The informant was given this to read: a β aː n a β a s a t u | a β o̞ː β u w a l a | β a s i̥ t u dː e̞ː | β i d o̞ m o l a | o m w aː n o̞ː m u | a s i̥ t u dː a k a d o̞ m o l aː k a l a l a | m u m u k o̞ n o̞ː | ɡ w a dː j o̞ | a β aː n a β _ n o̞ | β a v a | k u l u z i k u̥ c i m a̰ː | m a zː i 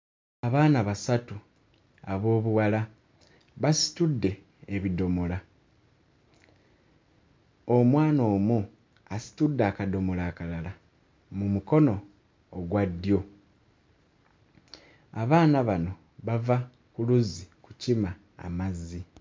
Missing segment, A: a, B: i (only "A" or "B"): A